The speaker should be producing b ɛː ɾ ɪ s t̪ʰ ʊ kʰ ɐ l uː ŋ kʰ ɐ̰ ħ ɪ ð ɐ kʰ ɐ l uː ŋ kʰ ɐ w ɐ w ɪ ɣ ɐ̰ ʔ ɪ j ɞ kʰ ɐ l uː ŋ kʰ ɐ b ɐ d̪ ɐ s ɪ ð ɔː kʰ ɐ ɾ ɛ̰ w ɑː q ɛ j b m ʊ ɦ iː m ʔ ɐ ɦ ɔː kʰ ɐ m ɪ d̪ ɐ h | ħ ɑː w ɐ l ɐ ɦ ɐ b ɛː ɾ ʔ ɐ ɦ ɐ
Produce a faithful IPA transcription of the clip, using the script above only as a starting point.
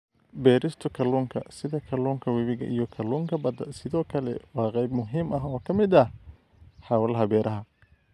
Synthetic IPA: b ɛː ɾ ɪ s t̪ʰ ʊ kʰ ɐ l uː ŋ kʰ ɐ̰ s ɪ ð ɐ kʰ ɐ l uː ŋ kʰ ɐ w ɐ β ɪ ɣ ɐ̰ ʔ i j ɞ kʰ ɐ l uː ŋ kʰ ɐ b ɐ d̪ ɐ s ɪ ð ɔː kʰ ɐ l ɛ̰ w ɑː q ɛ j b m ʊ ɦ iː m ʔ ɐ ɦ ɔː kʰ ɐ m ɪ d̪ ɐ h | ħ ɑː w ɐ l ɐ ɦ ɐ b ɛː ɾ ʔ ɐ ɦ ɐ